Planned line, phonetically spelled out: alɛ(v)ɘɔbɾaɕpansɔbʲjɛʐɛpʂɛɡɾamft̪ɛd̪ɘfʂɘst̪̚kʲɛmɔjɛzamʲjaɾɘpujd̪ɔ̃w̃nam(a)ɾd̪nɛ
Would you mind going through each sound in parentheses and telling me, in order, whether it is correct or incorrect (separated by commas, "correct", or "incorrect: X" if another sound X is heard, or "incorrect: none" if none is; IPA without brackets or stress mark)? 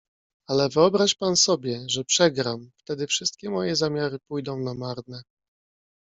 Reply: correct, correct